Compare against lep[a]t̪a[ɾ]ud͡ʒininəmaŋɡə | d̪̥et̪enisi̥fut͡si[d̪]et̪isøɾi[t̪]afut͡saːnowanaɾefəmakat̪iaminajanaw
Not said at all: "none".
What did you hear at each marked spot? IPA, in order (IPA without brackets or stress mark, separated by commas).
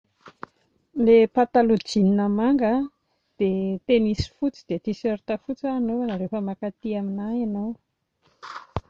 a, l, d̪, t̪